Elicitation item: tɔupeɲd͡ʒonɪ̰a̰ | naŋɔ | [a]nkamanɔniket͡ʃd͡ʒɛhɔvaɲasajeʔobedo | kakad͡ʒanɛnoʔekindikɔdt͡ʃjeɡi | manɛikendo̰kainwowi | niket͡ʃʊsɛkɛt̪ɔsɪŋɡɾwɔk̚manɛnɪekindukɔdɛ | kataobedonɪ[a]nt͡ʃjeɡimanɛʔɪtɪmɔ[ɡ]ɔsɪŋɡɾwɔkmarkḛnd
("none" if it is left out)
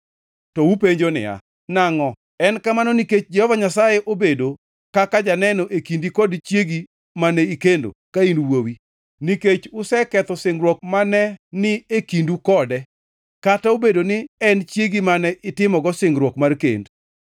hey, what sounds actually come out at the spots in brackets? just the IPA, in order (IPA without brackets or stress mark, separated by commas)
ɛ, ɛ, ɡ